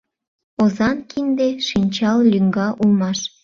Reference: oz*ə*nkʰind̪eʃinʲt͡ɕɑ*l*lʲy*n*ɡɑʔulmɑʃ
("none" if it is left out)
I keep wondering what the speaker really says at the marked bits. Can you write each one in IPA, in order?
ɑ, l, ŋ

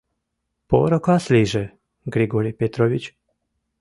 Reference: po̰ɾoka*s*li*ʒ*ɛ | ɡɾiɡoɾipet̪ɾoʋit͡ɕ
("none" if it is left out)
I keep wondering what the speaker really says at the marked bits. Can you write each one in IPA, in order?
s, ʒ

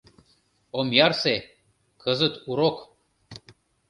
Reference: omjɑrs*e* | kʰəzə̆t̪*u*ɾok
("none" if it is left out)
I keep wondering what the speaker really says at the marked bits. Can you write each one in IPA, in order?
e, u

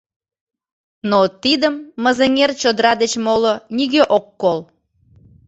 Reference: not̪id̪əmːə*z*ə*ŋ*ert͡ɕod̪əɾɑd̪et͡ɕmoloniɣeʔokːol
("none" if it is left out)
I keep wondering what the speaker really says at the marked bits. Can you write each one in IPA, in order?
z, ŋ

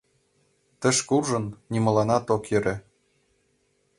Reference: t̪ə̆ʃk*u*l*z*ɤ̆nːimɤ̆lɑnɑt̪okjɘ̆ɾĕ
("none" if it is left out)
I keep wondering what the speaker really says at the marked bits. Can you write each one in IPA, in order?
u, ʒ

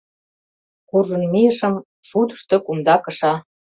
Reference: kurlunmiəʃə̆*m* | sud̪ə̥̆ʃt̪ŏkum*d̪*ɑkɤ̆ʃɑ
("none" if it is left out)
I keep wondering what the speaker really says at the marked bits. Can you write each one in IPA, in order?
m, d̪

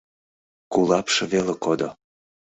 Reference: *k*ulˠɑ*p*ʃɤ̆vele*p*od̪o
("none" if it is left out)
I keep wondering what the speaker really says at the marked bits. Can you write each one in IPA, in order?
k, p, k

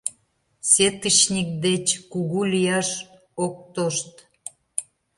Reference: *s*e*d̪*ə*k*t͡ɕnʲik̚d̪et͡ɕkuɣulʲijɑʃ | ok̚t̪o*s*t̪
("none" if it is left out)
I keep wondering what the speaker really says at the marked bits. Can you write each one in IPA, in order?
s, t̪, none, ʃ

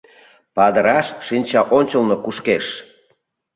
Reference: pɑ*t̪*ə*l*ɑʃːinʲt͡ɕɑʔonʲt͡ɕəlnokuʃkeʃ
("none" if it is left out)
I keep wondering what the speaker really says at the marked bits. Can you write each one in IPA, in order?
d̪, ɾ

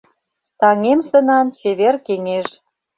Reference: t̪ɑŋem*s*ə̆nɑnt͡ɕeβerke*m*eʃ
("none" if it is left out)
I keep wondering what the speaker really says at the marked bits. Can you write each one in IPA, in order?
s, ŋ

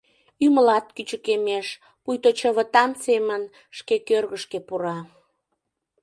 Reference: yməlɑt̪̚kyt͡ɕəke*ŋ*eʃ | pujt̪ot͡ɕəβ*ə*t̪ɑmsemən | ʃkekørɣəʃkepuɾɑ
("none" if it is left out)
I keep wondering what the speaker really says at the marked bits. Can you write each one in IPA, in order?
m, ə

